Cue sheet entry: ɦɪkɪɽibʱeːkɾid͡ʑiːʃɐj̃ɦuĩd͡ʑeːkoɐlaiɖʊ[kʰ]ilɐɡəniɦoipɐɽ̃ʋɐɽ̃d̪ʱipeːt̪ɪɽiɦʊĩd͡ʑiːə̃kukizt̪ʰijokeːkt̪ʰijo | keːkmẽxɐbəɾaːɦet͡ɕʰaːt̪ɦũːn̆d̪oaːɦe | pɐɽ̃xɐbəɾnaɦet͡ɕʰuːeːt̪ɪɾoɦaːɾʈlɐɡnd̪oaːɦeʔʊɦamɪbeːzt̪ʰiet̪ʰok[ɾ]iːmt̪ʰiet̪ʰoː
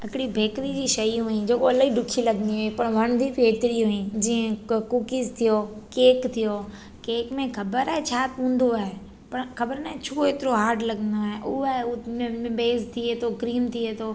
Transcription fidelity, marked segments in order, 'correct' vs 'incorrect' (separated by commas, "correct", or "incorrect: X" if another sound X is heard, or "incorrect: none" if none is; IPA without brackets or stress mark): correct, correct